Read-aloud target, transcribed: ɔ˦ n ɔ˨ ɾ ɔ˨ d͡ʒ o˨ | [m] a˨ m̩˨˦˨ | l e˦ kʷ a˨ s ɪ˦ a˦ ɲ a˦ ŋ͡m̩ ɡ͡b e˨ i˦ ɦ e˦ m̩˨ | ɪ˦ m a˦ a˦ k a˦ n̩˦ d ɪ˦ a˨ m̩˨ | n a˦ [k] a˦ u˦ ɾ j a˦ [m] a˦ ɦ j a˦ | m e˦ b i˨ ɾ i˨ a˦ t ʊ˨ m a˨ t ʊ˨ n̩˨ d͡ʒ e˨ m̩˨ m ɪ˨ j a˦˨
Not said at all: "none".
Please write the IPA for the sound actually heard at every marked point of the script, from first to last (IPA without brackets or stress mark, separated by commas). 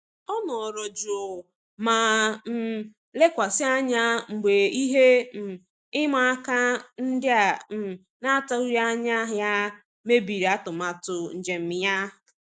m, t, ɲ